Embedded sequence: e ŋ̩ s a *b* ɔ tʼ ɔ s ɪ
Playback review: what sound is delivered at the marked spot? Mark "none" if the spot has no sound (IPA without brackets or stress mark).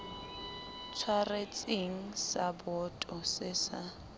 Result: b